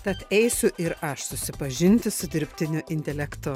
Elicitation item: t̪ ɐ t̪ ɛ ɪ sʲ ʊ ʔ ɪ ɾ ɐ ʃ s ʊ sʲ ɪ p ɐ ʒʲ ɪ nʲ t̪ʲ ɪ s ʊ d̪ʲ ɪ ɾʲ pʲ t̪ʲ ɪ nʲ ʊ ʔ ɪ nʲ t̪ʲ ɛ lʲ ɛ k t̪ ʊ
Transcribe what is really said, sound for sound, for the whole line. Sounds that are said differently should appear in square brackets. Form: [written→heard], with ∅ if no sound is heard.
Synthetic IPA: t̪ ɐ t̪ ɛ ɪ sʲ ʊ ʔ ɪ ɾ ɐ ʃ s ʊ sʲ ɪ p ɐ ʒʲ ɪ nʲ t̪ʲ ɪ s ʊ d̪ʲ ɪ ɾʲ pʲ t̪ʲ ɪ nʲ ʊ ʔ ɪ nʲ t̪ʲ ɛ lʲ ɛ k t̪ ʊ